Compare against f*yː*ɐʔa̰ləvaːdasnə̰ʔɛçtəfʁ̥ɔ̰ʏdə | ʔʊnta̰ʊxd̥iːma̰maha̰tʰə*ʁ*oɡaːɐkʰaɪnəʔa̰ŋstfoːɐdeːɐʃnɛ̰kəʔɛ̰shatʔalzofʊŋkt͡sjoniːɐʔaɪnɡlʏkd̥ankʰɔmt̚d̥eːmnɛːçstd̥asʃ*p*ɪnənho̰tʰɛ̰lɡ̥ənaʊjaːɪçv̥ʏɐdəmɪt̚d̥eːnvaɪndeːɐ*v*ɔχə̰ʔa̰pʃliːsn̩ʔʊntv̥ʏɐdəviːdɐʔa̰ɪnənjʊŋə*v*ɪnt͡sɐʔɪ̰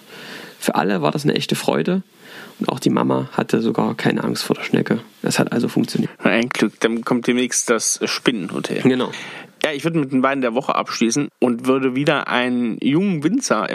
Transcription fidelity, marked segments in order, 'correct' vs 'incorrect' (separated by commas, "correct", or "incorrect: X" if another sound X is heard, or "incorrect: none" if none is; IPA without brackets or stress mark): correct, incorrect: z, correct, correct, correct